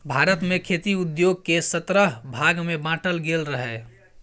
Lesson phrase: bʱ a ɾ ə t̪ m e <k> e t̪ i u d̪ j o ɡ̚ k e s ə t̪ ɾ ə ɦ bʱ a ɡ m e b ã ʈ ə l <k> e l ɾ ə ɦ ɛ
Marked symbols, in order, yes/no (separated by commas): no, no